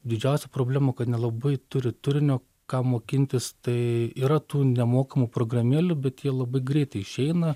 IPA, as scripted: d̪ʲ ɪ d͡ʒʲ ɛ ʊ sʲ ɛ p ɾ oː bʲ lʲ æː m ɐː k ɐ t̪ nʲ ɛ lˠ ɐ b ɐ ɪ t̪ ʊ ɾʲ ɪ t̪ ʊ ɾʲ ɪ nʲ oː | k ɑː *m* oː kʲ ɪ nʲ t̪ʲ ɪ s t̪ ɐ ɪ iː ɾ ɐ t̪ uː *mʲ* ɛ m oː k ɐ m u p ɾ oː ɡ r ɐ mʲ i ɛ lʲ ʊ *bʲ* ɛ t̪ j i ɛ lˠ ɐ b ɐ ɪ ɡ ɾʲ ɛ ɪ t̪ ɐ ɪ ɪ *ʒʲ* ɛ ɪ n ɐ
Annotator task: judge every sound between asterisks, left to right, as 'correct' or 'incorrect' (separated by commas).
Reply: correct, incorrect, correct, incorrect